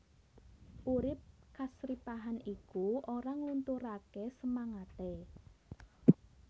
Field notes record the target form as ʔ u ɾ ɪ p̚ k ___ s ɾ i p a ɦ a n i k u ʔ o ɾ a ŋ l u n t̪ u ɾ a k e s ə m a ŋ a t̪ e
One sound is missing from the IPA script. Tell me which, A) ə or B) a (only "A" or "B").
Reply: B